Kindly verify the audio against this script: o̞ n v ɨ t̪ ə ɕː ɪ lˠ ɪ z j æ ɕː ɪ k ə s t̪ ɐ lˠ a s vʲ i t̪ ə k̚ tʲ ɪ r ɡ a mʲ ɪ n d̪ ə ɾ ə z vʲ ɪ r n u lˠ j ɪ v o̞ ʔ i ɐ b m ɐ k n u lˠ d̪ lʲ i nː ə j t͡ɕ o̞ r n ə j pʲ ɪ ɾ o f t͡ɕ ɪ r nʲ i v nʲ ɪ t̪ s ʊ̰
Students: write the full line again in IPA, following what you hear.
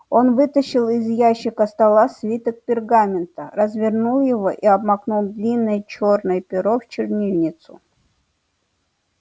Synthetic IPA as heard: o̞ n v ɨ t̪ ə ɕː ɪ lˠ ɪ z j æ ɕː ɪ k ə s t̪ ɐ lˠ a s vʲ i t̪ ə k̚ pʲ ɪ r ɡ a mʲ ɪ n t̪ ə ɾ ə z vʲ ɪ r n u lˠ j ɪ v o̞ ʔ i ɐ b m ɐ k n u lˠ d̪ lʲ i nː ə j t͡ɕ o̞ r n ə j pʲ ɪ ɾ o f t͡ɕ ɪ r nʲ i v nʲ ɪ t̪ s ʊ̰